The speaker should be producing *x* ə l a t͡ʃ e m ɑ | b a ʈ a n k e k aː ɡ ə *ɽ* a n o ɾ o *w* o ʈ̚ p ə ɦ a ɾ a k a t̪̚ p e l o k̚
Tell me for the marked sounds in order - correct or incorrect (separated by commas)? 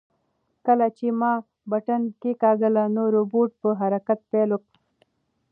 incorrect, incorrect, incorrect